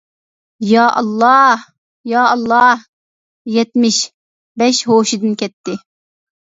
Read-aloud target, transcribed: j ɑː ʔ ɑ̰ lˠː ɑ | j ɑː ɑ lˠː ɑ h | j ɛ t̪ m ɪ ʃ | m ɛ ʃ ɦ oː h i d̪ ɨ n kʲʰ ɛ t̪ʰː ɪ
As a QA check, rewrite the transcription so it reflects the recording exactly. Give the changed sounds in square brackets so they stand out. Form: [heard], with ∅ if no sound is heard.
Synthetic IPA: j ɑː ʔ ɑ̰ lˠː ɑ | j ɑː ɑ lˠː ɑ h | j ɛ t̪ m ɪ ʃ | [b] ɛ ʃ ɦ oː [ʃ] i d̪ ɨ n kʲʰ ɛ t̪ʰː ɪ